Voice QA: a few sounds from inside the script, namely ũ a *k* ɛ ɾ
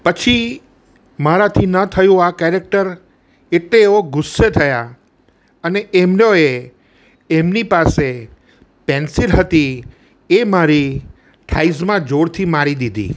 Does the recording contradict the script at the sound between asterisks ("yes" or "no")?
no